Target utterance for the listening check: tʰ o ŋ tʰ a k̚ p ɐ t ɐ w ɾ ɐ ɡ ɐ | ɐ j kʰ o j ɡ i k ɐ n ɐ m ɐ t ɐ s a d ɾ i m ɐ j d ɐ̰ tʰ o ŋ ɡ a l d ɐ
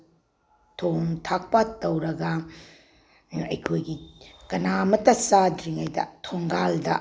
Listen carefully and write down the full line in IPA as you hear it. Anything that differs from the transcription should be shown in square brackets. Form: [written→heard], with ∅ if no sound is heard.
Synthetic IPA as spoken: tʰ o ŋ tʰ a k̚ p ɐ t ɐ w ɾ ɐ ɡ ɐ | ɐ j kʰ o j ɡ i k ɐ n [ɐ→a] m ɐ t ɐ s a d ɾ i [m→ŋ] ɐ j d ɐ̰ tʰ o ŋ ɡ a l d ɐ